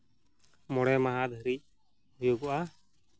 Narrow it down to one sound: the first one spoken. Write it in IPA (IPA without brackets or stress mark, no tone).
m